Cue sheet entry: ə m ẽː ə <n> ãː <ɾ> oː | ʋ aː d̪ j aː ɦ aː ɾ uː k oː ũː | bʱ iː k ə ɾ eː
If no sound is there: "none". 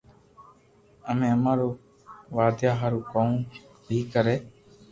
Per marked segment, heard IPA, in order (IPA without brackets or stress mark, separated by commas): m, ɾ